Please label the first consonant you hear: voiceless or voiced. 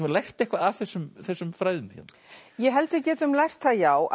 voiced